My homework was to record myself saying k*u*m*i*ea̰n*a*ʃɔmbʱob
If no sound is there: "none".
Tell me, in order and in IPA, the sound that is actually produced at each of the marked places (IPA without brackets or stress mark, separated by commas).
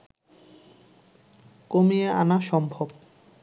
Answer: o, i, a